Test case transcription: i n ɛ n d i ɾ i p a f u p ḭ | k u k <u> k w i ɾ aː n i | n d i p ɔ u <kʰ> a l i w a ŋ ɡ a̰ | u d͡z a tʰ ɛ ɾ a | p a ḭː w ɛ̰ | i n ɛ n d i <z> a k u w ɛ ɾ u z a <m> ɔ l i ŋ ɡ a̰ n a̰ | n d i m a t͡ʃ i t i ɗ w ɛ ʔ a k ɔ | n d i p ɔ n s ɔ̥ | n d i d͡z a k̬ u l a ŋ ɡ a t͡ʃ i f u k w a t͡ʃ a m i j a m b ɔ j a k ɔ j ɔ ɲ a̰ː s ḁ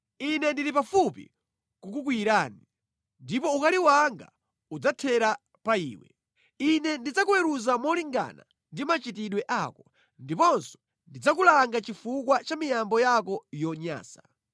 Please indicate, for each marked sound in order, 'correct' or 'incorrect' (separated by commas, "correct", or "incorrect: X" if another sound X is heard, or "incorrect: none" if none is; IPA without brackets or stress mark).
correct, incorrect: k, incorrect: d͡z, correct